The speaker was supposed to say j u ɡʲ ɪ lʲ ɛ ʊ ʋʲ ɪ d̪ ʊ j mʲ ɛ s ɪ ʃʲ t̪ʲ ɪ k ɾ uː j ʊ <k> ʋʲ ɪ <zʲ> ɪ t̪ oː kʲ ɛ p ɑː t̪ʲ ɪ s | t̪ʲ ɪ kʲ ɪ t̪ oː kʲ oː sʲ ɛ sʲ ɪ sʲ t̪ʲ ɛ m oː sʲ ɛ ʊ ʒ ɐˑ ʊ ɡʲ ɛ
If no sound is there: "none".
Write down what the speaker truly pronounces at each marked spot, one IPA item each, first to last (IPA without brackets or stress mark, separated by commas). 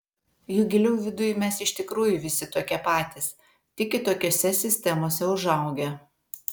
none, sʲ